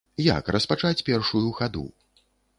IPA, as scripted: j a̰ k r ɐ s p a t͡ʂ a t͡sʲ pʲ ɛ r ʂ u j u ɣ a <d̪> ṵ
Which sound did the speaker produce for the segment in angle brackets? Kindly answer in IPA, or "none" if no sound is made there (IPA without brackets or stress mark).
d̪